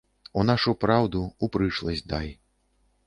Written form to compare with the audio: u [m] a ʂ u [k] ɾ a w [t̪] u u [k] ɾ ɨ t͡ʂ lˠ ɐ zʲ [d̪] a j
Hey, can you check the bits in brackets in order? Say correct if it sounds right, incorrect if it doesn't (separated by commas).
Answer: incorrect, incorrect, incorrect, incorrect, correct